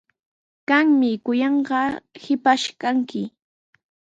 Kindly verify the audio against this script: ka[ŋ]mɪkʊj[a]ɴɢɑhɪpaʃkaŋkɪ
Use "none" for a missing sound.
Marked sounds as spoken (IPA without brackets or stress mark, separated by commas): ŋ, ɑ